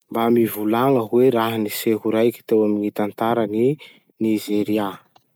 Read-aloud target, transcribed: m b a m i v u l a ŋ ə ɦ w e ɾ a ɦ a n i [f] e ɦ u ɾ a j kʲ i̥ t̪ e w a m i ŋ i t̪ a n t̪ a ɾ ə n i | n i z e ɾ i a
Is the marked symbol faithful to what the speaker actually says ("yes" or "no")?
no